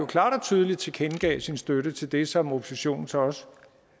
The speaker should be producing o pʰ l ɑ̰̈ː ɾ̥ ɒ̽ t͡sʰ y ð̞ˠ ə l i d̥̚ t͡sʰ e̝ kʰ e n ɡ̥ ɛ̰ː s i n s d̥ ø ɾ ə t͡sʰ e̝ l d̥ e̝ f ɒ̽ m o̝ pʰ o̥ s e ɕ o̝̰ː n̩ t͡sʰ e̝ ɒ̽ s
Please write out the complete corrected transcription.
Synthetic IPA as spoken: o kʰ l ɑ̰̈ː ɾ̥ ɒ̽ t͡sʰ y ð̞ˠ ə l i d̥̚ t͡sʰ e̝ kʰ e n ɡ̥ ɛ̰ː s i n s d̥ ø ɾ ə t͡sʰ e̝ l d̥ e̝ s ɒ̽ m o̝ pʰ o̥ s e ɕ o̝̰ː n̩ t͡sʰ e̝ ɒ̽ s